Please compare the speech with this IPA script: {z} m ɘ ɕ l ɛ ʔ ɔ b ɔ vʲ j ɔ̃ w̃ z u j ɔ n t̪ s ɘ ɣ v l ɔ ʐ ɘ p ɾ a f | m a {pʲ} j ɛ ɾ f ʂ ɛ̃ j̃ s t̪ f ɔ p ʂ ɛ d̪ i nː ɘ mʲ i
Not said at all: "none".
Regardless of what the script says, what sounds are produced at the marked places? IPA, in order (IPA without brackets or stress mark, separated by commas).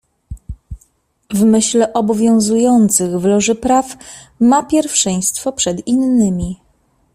v, pʲ